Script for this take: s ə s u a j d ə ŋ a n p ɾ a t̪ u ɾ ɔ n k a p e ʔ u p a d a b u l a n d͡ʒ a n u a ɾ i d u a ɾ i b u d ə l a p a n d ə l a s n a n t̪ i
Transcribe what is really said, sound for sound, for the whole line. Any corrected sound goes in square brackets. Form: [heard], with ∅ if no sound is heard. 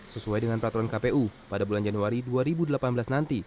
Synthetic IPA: s ə s u a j d ə ŋ a n p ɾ a t̪ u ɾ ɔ n k a p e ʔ u p a d a b u l a n d͡ʒ a n u a ɾ i d u a ɾ i b u d ə l a p a n [b] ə l a s n a n t̪ i